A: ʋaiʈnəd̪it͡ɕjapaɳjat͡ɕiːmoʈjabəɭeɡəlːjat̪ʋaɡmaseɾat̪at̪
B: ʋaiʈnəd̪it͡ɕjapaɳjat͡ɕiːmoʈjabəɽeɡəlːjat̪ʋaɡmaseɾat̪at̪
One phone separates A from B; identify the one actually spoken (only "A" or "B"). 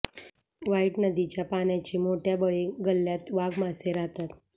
A